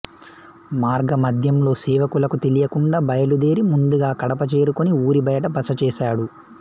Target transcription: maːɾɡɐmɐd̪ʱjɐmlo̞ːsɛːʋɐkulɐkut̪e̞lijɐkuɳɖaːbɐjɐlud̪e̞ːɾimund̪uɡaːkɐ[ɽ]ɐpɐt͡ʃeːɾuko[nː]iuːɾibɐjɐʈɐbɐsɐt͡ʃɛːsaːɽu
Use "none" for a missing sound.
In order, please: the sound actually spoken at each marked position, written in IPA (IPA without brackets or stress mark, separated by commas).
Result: ɽ, n